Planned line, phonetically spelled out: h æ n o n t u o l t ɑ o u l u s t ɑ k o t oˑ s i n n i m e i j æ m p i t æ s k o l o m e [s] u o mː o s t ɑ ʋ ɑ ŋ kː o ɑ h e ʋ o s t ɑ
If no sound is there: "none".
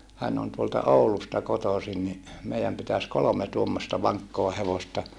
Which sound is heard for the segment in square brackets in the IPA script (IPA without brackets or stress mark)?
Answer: t